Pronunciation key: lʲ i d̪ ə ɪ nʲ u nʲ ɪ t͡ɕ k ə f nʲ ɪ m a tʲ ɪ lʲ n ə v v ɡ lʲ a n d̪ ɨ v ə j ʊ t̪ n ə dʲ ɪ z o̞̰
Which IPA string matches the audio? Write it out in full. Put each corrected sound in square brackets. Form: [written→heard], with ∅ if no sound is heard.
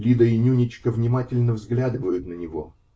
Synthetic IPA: lʲ i d̪ ə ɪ nʲ u nʲ ɪ t͡ɕ k ə [f→v] nʲ ɪ m a tʲ ɪ lʲ n ə v [v→z] ɡ lʲ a [n→∅] d̪ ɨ v ə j ʊ t̪ n ə [dʲ→nʲ] ɪ [z→v] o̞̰